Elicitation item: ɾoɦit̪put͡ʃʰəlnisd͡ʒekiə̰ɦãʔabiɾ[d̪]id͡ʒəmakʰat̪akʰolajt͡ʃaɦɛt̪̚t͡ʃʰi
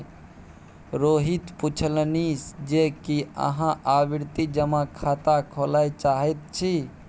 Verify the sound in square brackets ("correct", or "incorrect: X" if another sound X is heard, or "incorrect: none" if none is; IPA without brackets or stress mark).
incorrect: t̪